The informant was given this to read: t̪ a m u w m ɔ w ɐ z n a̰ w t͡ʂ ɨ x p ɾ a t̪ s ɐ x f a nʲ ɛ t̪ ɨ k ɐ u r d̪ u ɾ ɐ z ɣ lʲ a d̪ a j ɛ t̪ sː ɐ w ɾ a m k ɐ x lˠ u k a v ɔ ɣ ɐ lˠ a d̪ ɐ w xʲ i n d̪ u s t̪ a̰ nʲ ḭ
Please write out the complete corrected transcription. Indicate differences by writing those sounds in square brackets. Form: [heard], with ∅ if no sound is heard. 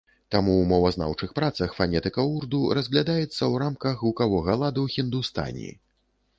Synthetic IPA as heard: t̪ a m u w m ɔ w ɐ z n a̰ w t͡ʂ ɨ x p ɾ a t̪ s ɐ x f a nʲ ɛ t̪ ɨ k ɐ u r d̪ u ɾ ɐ z ɣ lʲ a d̪ a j ɛ t̪ sː ɐ w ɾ a m k ɐ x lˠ u k a v ɔ ɣ ɐ lˠ a d̪ ɐ w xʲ i n d̪ u s t̪ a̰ nʲ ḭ